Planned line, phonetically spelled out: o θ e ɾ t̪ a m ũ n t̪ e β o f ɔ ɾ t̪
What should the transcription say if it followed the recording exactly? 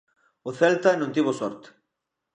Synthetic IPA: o θ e l t̪ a n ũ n t̪ i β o s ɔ ɾ t̪